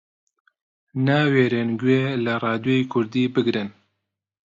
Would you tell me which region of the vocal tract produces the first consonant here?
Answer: tongue tip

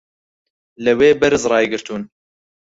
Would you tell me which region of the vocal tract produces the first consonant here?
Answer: tongue tip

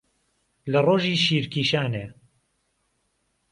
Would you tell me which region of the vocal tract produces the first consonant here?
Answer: tongue tip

